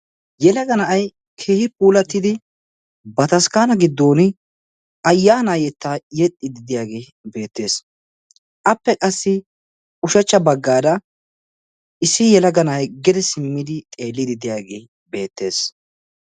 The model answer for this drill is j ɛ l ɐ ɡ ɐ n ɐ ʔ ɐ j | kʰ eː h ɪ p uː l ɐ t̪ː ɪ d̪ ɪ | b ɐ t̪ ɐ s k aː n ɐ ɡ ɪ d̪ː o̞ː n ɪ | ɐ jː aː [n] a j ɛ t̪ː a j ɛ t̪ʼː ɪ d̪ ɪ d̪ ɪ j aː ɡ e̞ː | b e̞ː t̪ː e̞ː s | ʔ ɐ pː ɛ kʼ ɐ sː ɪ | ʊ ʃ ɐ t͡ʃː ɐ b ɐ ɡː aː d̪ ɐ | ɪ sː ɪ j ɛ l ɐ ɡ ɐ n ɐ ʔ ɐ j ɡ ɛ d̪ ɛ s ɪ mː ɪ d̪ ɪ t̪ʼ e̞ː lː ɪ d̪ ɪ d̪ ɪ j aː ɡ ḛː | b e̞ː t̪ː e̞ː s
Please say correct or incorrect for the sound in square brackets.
correct